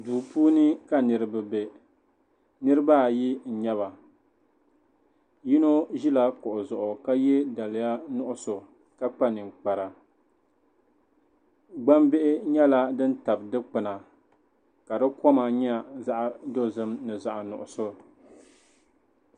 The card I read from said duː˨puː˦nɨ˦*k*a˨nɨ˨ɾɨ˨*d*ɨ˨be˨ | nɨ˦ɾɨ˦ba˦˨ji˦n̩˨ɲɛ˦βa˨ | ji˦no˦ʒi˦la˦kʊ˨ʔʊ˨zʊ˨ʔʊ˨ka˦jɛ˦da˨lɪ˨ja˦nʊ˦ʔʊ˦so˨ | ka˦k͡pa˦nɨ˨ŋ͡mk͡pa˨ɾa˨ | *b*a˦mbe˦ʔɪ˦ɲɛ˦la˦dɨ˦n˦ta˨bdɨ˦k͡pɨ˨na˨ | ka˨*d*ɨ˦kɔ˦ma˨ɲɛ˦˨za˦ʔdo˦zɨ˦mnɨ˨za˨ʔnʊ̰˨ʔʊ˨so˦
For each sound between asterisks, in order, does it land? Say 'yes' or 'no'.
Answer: yes, no, no, yes

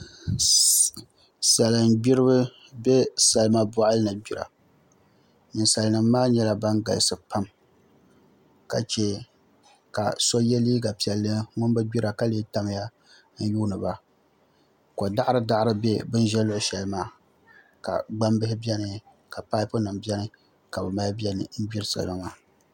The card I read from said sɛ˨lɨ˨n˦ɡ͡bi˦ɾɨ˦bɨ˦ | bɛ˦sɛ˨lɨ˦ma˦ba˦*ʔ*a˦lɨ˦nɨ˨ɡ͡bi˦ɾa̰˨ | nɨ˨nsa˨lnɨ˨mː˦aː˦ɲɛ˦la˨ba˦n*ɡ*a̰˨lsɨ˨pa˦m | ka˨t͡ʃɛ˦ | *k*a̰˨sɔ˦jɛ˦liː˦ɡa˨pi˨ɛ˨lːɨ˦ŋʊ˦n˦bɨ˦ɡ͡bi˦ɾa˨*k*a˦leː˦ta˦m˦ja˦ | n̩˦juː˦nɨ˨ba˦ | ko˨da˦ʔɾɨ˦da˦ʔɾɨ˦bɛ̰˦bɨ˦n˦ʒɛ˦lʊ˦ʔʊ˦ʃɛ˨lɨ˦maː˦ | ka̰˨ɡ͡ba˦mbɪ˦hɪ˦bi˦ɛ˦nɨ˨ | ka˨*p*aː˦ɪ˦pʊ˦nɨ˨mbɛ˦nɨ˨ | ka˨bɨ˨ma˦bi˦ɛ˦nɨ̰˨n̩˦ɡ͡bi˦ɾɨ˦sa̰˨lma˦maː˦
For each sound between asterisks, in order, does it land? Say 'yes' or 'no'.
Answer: yes, yes, yes, yes, yes

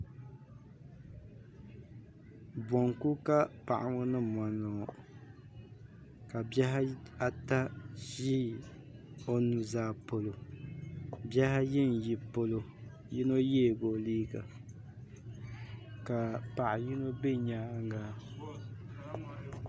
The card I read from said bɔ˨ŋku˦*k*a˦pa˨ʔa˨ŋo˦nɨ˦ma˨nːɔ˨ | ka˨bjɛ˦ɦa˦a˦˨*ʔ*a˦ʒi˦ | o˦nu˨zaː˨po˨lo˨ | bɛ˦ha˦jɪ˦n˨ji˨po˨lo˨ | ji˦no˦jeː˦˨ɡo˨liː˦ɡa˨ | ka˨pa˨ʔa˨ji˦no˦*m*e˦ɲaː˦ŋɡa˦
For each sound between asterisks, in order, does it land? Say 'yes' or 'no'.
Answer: yes, no, no

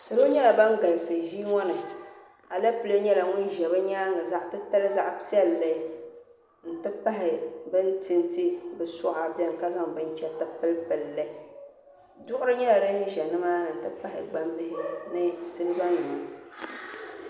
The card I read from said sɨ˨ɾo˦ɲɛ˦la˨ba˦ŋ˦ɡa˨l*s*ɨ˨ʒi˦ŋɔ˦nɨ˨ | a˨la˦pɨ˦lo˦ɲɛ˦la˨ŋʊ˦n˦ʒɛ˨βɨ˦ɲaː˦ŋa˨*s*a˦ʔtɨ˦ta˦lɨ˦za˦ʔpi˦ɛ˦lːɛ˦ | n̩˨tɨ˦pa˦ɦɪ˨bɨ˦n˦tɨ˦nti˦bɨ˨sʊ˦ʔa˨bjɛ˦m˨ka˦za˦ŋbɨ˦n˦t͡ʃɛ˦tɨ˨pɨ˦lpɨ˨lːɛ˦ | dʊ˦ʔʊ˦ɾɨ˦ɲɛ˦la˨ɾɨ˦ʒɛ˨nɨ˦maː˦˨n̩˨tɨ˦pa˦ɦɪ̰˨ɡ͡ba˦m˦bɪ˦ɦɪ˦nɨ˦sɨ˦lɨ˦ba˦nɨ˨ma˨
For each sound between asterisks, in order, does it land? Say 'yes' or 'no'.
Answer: yes, no

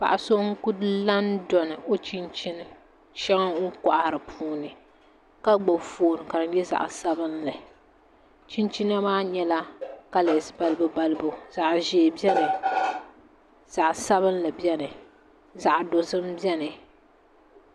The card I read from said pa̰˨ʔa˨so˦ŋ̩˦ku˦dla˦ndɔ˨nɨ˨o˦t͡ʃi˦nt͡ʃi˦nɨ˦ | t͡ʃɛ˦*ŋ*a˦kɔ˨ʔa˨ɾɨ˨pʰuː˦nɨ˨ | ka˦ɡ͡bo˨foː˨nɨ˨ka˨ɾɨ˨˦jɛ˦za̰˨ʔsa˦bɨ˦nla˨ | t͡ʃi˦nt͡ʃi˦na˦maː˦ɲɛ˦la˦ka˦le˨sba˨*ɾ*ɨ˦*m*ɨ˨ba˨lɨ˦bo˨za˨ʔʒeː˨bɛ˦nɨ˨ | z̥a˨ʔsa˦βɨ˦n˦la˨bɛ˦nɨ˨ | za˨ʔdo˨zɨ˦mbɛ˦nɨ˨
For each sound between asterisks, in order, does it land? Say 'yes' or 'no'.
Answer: yes, no, no

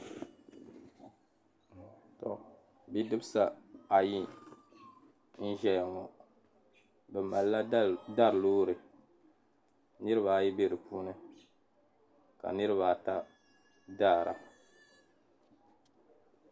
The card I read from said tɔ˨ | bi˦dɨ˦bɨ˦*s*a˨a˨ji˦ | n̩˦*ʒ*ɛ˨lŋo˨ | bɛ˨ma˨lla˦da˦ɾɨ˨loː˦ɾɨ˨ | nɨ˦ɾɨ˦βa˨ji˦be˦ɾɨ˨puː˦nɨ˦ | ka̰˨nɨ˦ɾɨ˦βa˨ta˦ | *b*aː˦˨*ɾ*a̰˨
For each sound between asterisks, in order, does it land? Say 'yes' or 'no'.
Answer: yes, yes, no, yes

